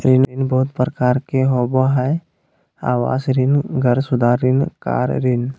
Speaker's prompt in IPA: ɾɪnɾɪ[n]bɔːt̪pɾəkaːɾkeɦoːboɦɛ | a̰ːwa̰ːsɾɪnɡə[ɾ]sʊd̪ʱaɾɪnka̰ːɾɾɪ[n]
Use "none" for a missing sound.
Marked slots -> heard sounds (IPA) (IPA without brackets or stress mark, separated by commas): n, ɾ, n